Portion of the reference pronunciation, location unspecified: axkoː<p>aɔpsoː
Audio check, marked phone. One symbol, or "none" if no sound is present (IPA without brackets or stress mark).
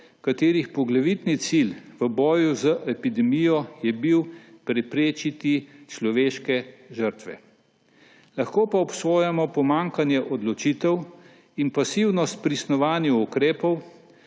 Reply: p